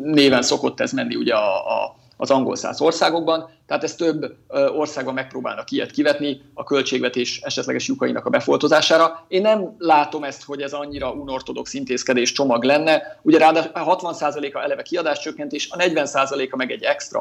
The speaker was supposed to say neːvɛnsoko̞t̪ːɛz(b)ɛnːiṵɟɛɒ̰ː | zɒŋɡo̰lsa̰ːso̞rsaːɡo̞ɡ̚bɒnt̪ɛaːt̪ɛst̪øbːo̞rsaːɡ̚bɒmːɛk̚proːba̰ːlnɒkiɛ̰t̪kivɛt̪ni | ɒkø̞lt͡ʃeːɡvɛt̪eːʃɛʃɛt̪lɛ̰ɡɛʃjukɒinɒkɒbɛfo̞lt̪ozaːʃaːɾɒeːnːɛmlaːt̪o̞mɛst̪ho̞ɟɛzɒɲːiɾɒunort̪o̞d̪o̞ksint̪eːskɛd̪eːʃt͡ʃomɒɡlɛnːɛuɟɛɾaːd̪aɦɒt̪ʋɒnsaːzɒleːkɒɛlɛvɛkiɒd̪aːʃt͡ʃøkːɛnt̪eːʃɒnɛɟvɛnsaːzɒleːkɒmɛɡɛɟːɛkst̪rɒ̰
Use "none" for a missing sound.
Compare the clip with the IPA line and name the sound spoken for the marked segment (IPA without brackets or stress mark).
m